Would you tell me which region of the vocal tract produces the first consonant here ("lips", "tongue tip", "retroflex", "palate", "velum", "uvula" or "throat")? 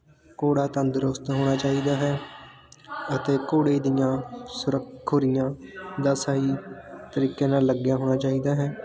velum